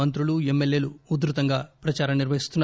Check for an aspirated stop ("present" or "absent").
absent